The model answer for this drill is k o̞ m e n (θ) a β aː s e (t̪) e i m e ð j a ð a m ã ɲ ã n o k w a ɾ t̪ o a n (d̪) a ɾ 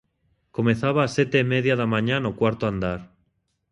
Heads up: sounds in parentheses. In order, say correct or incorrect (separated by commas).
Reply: correct, correct, correct